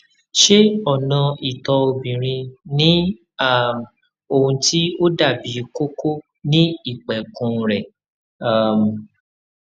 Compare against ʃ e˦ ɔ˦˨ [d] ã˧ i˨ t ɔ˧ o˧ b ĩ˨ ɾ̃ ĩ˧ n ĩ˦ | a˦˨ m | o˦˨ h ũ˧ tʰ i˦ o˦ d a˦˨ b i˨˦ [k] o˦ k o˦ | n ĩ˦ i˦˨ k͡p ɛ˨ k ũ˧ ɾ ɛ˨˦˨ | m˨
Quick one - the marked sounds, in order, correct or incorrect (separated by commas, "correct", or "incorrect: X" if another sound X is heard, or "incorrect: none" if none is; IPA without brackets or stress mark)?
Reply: incorrect: n, correct